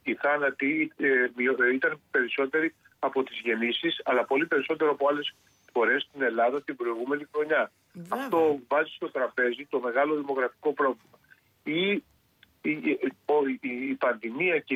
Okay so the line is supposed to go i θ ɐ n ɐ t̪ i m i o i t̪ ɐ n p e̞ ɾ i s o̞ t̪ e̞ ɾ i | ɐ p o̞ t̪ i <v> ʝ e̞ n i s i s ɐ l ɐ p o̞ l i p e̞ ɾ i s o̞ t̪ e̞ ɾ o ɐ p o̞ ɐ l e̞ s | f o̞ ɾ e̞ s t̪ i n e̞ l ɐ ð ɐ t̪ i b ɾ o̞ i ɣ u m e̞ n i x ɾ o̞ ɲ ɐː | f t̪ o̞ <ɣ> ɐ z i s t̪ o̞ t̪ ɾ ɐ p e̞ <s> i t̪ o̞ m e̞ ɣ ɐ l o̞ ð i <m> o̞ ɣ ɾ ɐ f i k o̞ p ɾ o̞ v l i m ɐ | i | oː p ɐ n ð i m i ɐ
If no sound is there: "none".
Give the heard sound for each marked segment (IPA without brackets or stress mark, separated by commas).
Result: z, v, z, m